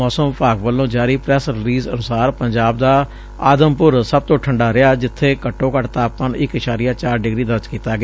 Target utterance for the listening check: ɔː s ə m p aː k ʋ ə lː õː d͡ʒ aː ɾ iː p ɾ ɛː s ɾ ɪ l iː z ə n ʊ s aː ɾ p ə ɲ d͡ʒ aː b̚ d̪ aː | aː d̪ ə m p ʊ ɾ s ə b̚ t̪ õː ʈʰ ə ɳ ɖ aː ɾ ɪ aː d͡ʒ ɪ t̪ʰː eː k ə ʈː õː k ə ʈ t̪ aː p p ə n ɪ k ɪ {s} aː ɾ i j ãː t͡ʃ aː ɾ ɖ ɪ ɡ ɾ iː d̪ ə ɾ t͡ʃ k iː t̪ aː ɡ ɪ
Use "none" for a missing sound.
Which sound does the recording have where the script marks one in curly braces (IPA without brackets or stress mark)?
ʃ